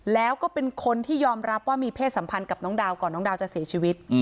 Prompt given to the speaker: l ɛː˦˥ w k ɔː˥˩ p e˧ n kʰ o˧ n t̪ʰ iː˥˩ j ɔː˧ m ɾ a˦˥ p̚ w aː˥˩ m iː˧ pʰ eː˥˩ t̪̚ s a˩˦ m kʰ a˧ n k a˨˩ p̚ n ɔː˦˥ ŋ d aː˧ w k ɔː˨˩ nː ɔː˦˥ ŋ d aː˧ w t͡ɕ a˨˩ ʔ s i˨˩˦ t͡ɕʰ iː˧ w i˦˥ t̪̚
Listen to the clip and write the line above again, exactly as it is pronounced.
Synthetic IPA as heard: l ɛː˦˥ w k ɔː˥˩ p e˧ n kʰ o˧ n t̪ʰ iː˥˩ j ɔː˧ m ɾ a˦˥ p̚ w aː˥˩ m iː˧ pʰ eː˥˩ t̪̚ s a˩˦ m pʰ a˧ n k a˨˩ p̚ n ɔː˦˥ ŋ d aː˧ w k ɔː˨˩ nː ɔː˦˥ ŋ d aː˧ w t͡ɕ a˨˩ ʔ s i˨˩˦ t͡ɕʰ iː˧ w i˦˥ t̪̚